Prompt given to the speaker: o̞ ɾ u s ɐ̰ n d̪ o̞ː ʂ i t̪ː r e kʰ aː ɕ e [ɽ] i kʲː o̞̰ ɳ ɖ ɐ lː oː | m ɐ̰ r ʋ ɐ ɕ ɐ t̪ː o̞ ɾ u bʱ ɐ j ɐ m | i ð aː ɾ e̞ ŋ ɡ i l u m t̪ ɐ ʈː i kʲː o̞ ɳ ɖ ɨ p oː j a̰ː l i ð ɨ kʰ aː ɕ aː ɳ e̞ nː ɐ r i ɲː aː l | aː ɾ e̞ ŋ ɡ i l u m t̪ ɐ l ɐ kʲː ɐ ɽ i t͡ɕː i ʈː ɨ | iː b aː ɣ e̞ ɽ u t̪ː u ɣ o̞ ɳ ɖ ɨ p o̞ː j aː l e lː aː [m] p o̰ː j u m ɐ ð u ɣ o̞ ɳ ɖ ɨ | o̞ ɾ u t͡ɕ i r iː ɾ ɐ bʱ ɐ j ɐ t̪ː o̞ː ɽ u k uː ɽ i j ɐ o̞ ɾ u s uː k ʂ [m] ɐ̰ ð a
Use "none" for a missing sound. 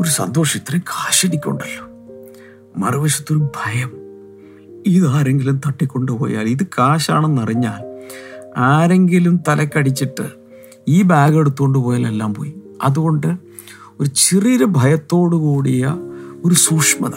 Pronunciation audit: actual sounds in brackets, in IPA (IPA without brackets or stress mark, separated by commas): ɽ, m, m